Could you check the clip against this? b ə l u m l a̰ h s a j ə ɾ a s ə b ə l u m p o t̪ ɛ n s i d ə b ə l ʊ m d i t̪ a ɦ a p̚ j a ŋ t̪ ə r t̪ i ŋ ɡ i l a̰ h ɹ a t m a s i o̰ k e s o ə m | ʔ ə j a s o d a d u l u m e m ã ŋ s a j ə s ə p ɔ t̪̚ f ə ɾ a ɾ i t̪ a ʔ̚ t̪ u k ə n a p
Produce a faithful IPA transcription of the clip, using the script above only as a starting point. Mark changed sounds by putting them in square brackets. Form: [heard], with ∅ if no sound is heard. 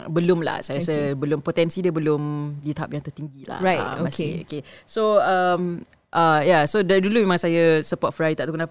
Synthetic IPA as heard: b ə l [ʊ] m l a̰ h s a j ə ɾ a s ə b ə l [ʊ] m p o t̪ ɛ n s i d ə b ə l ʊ m d i t̪ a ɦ a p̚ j a ŋ t̪ ə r t̪ i ŋ ɡ i l a̰ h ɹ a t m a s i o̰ k e s o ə m | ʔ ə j a s o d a d u l u m e m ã ŋ s a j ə s ə p ɔ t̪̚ f ə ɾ a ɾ i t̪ a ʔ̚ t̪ u k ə n a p